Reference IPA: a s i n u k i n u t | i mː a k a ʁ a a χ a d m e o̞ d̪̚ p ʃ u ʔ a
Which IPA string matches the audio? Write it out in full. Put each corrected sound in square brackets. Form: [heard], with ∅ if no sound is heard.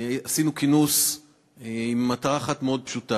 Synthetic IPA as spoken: a s i n u k i n u [s] | i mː a [t] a ʁ a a χ a [t] m e o̞ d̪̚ p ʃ u [t] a